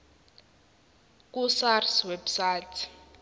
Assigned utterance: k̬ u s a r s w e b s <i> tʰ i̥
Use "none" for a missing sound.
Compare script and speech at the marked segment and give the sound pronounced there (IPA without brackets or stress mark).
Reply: a